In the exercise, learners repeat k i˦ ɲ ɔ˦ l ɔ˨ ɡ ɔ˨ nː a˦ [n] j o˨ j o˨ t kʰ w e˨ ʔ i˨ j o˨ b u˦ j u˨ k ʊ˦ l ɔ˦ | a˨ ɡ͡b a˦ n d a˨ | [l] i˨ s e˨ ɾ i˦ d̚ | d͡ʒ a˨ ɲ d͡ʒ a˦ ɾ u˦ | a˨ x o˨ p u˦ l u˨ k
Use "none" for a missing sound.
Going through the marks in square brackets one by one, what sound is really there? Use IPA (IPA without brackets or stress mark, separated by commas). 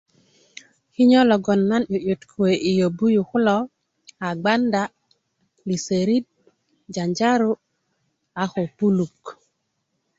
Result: n, l